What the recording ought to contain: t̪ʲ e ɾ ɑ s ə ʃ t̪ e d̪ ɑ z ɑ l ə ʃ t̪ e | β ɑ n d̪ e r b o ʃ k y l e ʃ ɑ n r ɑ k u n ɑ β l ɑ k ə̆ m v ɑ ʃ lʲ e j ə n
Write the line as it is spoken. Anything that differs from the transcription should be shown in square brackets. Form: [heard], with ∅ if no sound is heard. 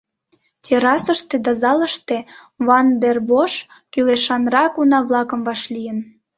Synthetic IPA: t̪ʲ e ɾ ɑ s ə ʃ t̪ e d̪ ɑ z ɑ l ə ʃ t̪ e | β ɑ n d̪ e r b o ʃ k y l e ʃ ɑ n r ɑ k u n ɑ β l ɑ k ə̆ m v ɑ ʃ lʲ [i] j ə n